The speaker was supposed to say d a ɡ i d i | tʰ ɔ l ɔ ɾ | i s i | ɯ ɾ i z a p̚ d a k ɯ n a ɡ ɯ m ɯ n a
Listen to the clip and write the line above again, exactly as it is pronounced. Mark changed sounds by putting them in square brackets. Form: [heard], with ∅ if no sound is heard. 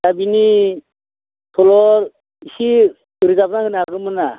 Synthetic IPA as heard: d a [b] i [n] i | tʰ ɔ l ɔ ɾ | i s i | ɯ ɾ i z a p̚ [n] a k ɯ n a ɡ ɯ m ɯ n a